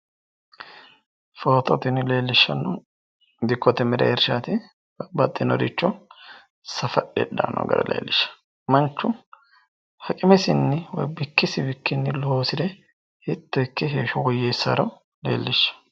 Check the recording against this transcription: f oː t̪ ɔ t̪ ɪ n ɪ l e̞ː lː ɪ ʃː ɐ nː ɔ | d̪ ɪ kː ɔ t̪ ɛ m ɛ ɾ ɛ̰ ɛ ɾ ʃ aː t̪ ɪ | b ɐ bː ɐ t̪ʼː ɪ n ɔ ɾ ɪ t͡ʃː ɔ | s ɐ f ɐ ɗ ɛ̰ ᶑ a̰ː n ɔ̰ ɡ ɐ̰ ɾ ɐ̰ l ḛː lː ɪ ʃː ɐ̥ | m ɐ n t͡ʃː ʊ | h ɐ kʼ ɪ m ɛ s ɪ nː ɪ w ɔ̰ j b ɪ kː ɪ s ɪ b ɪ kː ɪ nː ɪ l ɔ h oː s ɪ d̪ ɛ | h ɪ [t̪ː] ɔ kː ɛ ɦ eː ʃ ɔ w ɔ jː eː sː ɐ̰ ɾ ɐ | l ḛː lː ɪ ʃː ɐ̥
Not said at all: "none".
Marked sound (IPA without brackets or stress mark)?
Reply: t̪ː